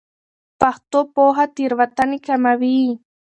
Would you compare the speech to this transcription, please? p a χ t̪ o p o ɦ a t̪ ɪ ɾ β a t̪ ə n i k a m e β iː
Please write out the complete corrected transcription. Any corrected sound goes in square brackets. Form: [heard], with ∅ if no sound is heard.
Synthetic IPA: p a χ t̪ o p o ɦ a t̪ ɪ ɾ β a t̪ [a] n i k a m [a] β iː